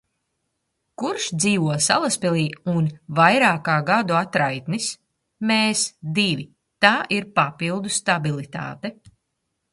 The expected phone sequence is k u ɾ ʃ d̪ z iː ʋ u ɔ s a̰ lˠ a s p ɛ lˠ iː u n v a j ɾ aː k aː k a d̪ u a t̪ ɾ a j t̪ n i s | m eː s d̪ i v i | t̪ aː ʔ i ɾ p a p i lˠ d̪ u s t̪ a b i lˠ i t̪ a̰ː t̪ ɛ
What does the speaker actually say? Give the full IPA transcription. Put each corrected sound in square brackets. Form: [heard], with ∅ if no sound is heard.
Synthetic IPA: k u ɾ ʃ d̪ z iː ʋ u ɔ s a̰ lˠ a s p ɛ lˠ iː u n v a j ɾ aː k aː [ɡ] a d̪ u a t̪ ɾ a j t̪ n i s | m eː s d̪ i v i | t̪ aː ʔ i ɾ p a p i lˠ d̪ u s t̪ a b i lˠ i t̪ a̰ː t̪ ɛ